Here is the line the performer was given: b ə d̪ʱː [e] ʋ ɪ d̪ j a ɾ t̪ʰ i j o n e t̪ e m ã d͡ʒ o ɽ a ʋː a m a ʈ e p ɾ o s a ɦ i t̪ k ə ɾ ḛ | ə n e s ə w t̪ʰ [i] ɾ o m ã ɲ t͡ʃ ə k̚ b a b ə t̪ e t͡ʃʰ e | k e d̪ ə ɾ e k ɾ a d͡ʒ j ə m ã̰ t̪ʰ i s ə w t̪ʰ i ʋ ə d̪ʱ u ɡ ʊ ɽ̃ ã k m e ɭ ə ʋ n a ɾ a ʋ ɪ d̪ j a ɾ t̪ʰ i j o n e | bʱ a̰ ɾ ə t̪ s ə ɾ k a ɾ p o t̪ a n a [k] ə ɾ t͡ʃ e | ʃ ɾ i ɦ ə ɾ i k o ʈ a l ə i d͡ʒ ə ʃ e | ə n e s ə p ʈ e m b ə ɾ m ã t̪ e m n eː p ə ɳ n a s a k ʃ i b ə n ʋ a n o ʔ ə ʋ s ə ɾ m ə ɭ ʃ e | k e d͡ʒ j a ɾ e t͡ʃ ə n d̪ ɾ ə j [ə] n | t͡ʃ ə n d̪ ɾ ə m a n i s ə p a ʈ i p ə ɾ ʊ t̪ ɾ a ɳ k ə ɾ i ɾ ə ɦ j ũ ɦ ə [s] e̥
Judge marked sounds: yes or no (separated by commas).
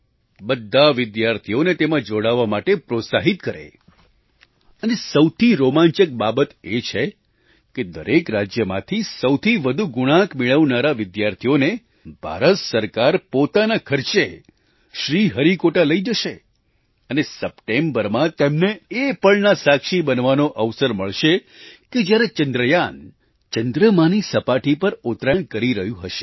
no, yes, no, no, no